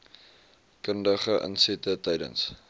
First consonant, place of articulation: velar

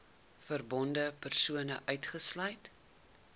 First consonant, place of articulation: labial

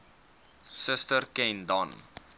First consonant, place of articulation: alveolar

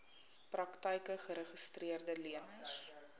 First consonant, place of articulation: labial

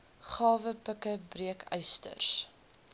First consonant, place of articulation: uvular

